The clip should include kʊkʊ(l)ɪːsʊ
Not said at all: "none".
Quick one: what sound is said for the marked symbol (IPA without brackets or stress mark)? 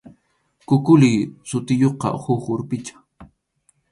l